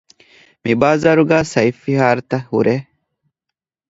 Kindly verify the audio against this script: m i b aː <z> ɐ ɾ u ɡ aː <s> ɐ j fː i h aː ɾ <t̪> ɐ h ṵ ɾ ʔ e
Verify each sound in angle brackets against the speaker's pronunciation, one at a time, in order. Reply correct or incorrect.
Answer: correct, correct, correct

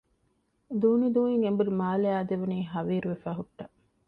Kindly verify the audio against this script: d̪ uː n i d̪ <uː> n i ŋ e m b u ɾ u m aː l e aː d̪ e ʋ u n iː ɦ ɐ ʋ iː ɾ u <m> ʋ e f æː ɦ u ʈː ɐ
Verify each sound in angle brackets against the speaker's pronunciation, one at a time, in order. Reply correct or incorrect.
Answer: correct, incorrect: none

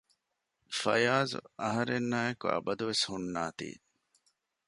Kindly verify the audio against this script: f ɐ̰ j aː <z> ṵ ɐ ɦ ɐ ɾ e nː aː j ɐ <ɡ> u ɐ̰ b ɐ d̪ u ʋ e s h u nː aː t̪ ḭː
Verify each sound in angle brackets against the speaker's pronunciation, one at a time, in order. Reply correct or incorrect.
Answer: correct, incorrect: k

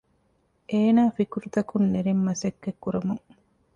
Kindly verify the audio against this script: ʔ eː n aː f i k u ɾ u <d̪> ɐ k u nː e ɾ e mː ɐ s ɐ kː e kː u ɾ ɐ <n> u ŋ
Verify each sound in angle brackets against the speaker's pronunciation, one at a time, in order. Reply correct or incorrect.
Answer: incorrect: t̪, incorrect: m

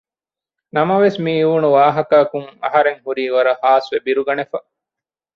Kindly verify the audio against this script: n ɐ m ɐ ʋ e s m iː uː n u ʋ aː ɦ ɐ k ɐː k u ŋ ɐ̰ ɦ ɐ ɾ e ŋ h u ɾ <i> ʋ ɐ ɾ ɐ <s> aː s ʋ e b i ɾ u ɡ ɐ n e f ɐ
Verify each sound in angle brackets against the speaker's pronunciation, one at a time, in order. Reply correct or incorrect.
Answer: incorrect: iː, incorrect: h

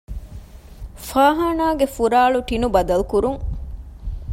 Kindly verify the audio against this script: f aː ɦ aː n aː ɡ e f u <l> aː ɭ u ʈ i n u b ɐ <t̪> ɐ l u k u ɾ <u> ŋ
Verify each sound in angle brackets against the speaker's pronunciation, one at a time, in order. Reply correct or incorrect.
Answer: incorrect: ɾ, incorrect: d̪, correct

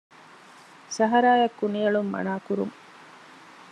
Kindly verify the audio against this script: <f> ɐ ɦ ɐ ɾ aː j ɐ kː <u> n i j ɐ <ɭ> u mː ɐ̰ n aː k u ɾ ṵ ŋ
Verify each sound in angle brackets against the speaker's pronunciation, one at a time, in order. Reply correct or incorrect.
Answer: incorrect: s, correct, correct

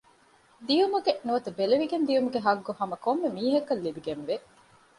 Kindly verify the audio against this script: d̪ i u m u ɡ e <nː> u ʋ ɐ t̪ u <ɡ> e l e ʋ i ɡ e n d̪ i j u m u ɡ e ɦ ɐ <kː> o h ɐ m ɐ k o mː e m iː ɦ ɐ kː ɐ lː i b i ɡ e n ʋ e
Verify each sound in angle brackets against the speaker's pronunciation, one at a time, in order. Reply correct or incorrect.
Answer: incorrect: n, incorrect: b, incorrect: ɡː

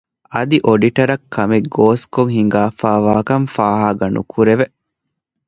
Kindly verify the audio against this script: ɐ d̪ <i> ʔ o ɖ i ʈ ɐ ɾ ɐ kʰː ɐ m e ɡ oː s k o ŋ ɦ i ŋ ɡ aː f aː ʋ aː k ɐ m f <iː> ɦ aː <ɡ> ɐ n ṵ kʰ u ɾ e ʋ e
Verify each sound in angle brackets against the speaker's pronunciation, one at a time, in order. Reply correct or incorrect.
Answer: correct, incorrect: aː, correct

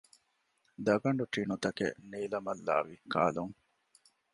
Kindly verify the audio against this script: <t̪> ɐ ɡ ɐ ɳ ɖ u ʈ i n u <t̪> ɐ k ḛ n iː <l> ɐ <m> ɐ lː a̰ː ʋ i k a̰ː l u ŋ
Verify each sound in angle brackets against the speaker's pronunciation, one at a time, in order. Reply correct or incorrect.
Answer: incorrect: d̪, correct, correct, correct

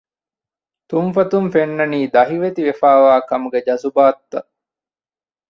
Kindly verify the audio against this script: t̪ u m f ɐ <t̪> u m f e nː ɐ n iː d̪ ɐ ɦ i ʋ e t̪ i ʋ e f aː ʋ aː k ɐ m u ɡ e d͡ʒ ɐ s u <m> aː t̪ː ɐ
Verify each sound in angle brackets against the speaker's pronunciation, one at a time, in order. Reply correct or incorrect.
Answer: correct, incorrect: b

